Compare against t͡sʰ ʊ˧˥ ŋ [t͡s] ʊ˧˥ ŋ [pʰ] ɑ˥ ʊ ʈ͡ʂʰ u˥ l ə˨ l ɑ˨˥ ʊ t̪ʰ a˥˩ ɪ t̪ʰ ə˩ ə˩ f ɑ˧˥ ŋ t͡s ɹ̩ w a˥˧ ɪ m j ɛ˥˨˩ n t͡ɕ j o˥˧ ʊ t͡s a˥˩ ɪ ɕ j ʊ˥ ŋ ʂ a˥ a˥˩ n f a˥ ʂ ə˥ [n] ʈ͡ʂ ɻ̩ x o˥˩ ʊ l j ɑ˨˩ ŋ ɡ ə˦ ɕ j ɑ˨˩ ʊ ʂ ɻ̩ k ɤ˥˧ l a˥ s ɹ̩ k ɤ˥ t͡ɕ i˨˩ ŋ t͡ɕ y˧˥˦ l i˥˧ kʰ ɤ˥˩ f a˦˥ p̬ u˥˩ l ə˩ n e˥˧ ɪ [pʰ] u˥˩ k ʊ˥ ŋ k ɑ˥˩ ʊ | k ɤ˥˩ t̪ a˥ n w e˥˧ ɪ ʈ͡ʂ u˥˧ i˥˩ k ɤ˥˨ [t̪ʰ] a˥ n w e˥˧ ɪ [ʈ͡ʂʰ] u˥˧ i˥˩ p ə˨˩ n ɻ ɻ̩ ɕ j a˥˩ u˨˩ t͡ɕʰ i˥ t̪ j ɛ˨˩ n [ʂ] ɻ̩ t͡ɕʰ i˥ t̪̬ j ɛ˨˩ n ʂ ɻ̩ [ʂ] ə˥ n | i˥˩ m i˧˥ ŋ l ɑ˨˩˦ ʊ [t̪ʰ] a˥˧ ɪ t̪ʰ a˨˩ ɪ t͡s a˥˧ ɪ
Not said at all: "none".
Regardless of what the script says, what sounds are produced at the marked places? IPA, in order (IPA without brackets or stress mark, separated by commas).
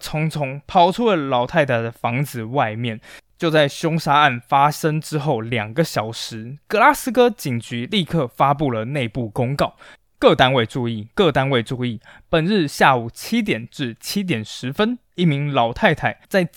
t͡sʰ, pʰ, ŋ, p, t̪, ʈ͡ʂ, ʈ͡ʂ, f, t̪ʰ